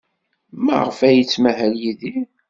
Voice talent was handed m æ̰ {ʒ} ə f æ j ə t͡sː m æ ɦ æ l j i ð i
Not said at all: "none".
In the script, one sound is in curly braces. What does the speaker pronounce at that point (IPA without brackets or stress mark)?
ʁ